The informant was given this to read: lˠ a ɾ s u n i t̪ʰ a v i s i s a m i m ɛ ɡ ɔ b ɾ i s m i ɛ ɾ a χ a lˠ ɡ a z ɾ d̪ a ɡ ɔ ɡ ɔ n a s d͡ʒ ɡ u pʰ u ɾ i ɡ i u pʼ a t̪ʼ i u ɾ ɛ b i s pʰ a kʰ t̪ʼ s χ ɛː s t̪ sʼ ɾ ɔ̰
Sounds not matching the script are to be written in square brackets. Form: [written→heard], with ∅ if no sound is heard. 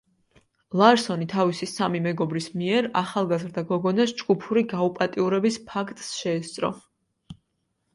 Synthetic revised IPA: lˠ a ɾ s [u→ɔ] n i t̪ʰ a v i s i s a m i m ɛ ɡ ɔ b ɾ i s m i ɛ ɾ a χ a lˠ ɡ a z ɾ d̪ a ɡ ɔ ɡ ɔ n a s d͡ʒ ɡ u pʰ u ɾ i ɡ [i→a] u pʼ a t̪ʼ i u ɾ ɛ b i s pʰ a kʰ t̪ʼ s [χ→ʃ] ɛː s t̪ sʼ ɾ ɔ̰

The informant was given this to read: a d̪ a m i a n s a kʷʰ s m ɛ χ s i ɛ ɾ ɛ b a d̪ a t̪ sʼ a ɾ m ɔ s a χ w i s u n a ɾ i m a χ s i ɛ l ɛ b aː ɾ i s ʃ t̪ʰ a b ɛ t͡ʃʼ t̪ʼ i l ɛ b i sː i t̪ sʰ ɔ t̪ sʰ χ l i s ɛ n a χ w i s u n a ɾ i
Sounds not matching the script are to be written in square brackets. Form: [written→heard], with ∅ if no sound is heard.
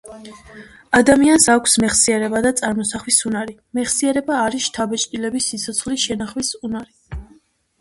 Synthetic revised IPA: a d̪ a m i a n s a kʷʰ s m ɛ χ s i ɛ ɾ ɛ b a d̪ a t̪ sʼ a ɾ m ɔ s a χ w i s u n a ɾ i m [a→ɛ] χ s i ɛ [l→ɾ] ɛ b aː ɾ i s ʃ t̪ʰ a b ɛ t͡ʃʼ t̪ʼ i l ɛ b i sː i t̪ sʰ ɔ t̪ sʰ χ l i [s→ʃ] ɛ n a χ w i s u n a ɾ i

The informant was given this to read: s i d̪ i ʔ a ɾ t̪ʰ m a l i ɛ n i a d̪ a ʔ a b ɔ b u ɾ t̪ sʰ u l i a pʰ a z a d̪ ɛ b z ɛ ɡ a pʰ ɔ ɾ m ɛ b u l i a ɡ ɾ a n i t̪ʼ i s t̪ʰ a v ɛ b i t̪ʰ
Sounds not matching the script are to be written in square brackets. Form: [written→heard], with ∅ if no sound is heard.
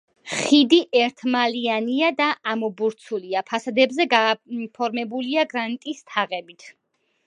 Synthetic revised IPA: [s→χ] i d̪ i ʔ [a→ɛ] ɾ t̪ʰ m a l i [ɛ→a] n i a d̪ a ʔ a [b→m] ɔ b u ɾ t̪ sʰ u l i a pʰ a [z→s] a d̪ ɛ b z ɛ ɡ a pʰ ɔ ɾ m ɛ b u l i a ɡ ɾ a n i t̪ʼ i s t̪ʰ a [v→ʁ] ɛ b i t̪ʰ

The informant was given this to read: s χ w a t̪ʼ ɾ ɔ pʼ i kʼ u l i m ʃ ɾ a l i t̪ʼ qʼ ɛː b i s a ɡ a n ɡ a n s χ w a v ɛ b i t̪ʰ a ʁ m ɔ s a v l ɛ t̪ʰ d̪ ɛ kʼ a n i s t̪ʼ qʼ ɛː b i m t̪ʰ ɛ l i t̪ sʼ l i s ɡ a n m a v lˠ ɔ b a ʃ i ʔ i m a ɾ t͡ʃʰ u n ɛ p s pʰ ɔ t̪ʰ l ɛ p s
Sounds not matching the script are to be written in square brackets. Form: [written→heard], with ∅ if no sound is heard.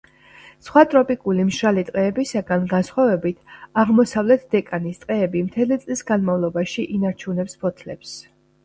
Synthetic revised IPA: s χ w a t̪ʼ ɾ ɔ pʼ i kʼ u l i m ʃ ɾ a l i t̪ʼ qʼ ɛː b i s a ɡ a n ɡ a n s χ w a v ɛ b i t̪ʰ a ʁ m ɔ s a v l ɛ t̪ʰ d̪ ɛ kʼ a n i s t̪ʼ qʼ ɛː b i m t̪ʰ ɛ l i t̪ sʼ l i s ɡ a n m a v lˠ ɔ b a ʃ i ʔ i [m→n] a ɾ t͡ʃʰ u n ɛ p s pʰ ɔ t̪ʰ l ɛ p s

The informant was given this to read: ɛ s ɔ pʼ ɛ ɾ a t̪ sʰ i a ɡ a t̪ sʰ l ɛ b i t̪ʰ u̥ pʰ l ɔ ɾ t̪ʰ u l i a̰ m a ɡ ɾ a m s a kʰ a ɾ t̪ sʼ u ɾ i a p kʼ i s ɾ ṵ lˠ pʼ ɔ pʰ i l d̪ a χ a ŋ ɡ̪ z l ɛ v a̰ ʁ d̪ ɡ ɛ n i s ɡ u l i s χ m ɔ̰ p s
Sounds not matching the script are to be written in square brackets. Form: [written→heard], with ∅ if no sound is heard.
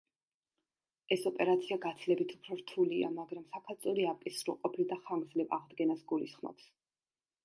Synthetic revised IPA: ɛ s ɔ pʼ ɛ ɾ a t̪ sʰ i a ɡ a t̪ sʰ l ɛ b i t̪ʰ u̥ pʰ [l→ɾ] ɔ ɾ t̪ʰ u l i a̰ m a ɡ ɾ a m s a kʰ a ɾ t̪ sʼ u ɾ i a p kʼ i s ɾ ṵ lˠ [pʼ→qʼ] ɔ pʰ i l d̪ a χ a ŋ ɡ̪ z l ɛ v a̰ ʁ d̪ ɡ ɛ n [i→a] s ɡ u l i s χ m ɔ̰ p s

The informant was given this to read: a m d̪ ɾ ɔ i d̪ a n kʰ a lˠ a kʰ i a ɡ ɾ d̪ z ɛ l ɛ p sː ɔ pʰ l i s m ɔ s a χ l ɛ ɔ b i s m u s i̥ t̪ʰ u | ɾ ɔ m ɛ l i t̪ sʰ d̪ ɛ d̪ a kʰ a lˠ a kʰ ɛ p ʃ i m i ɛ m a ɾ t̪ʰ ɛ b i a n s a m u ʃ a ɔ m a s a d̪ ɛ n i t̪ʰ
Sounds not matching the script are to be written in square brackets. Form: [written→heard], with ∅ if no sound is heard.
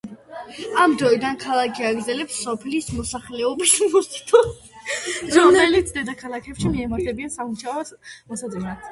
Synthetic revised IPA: a m d̪ ɾ ɔ i d̪ a n kʰ a lˠ a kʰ i a ɡ ɾ d̪ z ɛ l ɛ p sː ɔ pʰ l i s m ɔ s a χ l ɛ ɔ b i s m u s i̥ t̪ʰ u | ɾ ɔ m ɛ l i t̪ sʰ d̪ ɛ d̪ a kʰ a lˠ a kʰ ɛ p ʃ i m i ɛ m a ɾ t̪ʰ ɛ b i a n s a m u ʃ a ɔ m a s a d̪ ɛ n [i→a] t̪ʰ

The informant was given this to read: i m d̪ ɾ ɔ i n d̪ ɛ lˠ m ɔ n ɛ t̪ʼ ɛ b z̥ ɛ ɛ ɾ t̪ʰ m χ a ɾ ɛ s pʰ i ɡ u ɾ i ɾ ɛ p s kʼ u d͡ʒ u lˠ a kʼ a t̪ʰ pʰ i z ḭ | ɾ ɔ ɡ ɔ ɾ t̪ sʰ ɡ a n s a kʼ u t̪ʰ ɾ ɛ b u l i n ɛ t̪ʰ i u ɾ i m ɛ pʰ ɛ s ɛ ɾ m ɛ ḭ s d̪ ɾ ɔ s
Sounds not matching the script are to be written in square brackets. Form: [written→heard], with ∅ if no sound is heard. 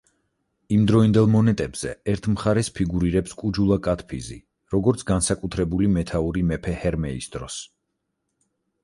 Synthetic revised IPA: i m d̪ ɾ ɔ i n d̪ ɛ lˠ m ɔ n ɛ t̪ʼ ɛ b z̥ ɛ ɛ ɾ t̪ʰ m χ a ɾ ɛ s pʰ i ɡ u ɾ i ɾ ɛ p s kʼ u d͡ʒ u lˠ a kʼ a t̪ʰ pʰ i z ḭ | ɾ ɔ ɡ ɔ ɾ t̪ sʰ ɡ a n s a kʼ u t̪ʰ ɾ ɛ b u l i [n→m] ɛ t̪ʰ [i→a] u ɾ i m ɛ pʰ ɛ [s→h] ɛ ɾ m ɛ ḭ s d̪ ɾ ɔ s

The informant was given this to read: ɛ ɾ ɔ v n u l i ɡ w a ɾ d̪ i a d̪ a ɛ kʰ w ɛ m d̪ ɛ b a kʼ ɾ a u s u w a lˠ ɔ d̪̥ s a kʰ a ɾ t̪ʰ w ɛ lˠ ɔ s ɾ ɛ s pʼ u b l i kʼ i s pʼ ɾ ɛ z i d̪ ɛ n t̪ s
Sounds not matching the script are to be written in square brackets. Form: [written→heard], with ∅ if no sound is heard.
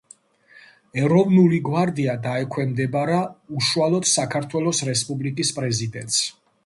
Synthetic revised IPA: ɛ ɾ ɔ v n u l i ɡ w a ɾ d̪ i a d̪ a ɛ kʰ w ɛ m d̪ ɛ b a [kʼ→∅] ɾ a u [s→ʃ] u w a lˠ ɔ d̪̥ s a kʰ a ɾ t̪ʰ w ɛ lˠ ɔ s ɾ ɛ s pʼ u b l i kʼ i s pʼ ɾ ɛ z i d̪ ɛ n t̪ s

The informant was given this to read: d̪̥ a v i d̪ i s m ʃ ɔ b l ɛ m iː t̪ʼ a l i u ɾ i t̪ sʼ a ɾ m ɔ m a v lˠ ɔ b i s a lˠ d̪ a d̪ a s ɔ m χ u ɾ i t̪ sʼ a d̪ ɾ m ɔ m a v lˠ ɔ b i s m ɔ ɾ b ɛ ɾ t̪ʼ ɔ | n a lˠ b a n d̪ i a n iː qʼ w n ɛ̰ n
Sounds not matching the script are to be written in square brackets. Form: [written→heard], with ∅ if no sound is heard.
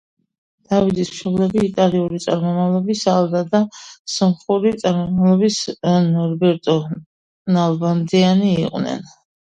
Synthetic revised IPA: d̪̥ a v i d̪ i s m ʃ ɔ b l ɛ [m→b] iː t̪ʼ a l i u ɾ i t̪ sʼ a ɾ m ɔ m a v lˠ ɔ b i s a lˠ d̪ a d̪ a s ɔ m χ u ɾ i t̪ sʼ a [d̪→∅] ɾ m ɔ m a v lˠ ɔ b i s [m→n] ɔ ɾ b ɛ ɾ t̪ʼ ɔ | n a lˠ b a n d̪ i a n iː qʼ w n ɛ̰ n

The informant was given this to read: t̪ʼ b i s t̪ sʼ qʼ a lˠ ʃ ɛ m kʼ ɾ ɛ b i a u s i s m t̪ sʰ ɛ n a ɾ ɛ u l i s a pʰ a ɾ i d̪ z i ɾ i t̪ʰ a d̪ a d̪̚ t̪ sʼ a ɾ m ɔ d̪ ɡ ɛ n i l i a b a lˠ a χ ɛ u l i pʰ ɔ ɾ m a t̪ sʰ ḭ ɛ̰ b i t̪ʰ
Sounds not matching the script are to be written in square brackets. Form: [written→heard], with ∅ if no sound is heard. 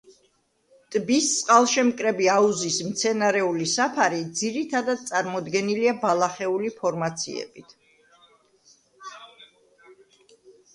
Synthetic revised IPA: t̪ʼ b i s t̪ sʼ qʼ a lˠ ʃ ɛ m kʼ ɾ ɛ b i a u [s→z] i s m t̪ sʰ ɛ n a ɾ ɛ u l i s a pʰ a ɾ i d̪ z i ɾ i t̪ʰ a d̪ a d̪̚ t̪ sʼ a ɾ m ɔ d̪ ɡ ɛ n i l i a b a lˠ a χ ɛ u l i pʰ ɔ ɾ m a t̪ sʰ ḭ ɛ̰ b i t̪ʰ

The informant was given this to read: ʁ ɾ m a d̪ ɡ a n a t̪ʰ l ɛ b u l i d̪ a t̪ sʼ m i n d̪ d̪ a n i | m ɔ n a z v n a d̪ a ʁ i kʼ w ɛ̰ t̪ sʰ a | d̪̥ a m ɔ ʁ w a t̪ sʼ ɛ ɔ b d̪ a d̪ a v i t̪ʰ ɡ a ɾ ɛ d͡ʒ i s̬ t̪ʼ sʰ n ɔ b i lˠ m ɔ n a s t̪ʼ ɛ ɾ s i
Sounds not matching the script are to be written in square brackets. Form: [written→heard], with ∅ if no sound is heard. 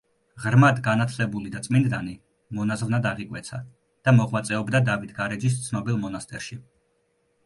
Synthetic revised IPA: ʁ ɾ m a d̪ ɡ a n a t̪ʰ l ɛ b u l i d̪ a t̪ sʼ m i n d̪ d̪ a n i | m ɔ n a z v n a d̪ a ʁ i kʼ w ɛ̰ t̪ sʰ a | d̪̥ a m ɔ ʁ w a t̪ sʼ ɛ ɔ b d̪ a d̪ a v i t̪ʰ ɡ a ɾ ɛ d͡ʒ i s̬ [t̪ʼ→t̪] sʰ n ɔ b i lˠ m ɔ n a s t̪ʼ ɛ ɾ [s→ʃ] i

